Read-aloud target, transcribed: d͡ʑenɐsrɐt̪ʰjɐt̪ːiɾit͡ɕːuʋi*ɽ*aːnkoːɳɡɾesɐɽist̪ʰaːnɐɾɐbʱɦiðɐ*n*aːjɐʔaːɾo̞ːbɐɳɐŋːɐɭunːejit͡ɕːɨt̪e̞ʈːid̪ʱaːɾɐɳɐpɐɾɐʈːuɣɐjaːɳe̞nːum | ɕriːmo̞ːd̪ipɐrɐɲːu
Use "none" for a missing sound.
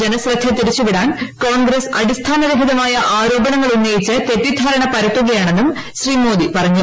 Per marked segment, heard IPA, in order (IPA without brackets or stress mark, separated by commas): ɽ, m